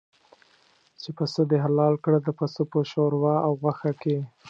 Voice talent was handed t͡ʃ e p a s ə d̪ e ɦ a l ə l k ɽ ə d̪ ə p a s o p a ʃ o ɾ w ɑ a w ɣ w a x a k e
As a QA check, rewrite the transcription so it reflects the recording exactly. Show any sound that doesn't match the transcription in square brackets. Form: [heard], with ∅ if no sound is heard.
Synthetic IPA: t͡ʃ e p a s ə d̪ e ɦ a l [ɑ] l k ɽ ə d̪ ə p a s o p [ə] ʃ o ɾ w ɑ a w ɣ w a x a k e